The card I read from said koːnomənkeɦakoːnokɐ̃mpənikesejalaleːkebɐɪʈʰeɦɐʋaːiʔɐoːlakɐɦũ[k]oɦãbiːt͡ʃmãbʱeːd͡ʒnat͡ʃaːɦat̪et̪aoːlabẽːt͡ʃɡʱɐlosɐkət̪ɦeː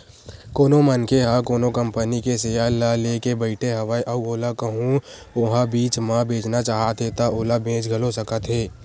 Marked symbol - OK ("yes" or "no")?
no